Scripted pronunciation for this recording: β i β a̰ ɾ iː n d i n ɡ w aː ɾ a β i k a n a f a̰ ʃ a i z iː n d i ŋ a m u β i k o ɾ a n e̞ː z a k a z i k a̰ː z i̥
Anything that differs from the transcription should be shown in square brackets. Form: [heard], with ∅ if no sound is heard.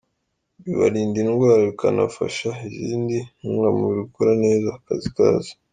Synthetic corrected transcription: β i β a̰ ɾ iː n d i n ɡ w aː ɾ a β i k a n a f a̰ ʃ a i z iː n d i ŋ a m u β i k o ɾ a n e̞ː z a k a z i k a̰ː z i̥